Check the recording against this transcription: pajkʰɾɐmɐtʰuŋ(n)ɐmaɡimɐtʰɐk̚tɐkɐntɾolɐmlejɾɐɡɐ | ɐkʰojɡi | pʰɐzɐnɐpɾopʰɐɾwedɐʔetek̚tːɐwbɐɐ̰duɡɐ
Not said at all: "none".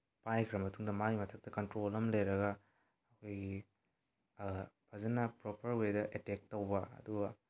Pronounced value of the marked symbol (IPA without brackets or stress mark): d